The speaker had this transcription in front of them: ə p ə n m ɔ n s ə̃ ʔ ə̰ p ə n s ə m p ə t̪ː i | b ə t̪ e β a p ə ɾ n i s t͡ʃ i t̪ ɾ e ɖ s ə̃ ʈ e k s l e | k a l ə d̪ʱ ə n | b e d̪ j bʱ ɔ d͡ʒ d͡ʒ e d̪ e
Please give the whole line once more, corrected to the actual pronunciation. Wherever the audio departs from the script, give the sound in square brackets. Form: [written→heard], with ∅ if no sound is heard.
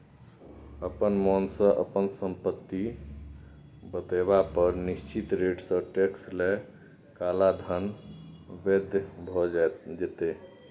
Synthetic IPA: ə p ə n m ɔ n s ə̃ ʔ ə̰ p ə n s ə m p ə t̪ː i | b ə t̪ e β a p ə ɾ n i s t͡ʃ i t̪ ɾ e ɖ s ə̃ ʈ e k s l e | k a l [ə→a] d̪ʱ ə n | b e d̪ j bʱ ɔ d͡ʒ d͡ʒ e [d̪→t̪] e